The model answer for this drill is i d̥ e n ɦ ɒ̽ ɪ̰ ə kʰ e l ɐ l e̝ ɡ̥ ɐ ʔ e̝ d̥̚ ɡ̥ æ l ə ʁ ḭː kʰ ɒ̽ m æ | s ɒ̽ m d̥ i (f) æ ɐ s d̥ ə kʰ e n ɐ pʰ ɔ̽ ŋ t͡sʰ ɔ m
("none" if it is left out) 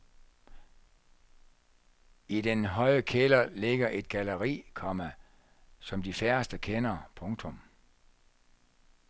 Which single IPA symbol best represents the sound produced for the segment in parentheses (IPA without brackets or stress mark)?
f